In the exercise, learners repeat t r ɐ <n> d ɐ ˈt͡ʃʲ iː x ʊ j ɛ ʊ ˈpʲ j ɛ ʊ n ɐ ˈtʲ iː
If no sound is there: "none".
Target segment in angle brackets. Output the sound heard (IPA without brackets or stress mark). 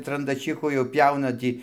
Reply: n